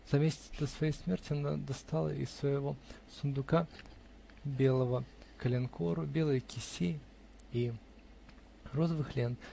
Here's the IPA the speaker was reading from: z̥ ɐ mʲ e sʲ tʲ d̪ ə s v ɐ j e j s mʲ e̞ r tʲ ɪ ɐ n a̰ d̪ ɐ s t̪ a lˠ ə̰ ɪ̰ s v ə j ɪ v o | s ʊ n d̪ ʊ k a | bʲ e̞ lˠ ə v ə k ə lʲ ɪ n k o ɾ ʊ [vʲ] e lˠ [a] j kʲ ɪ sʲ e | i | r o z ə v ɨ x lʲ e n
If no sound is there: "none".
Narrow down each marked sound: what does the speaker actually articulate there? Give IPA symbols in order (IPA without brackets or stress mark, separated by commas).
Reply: bʲ, ə